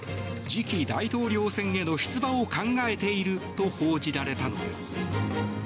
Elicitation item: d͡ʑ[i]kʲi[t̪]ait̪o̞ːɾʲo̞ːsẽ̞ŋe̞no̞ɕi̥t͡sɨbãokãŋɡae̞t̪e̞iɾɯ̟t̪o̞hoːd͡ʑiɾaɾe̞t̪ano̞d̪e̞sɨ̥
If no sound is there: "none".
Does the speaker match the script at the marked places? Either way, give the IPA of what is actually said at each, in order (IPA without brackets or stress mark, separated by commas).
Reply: i, d̪